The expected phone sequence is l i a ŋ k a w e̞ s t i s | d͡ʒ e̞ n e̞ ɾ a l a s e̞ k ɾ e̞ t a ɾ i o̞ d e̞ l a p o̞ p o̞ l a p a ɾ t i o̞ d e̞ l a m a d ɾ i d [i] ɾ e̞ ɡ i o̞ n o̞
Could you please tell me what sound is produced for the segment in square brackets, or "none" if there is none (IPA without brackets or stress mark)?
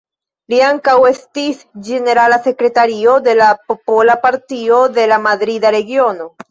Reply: a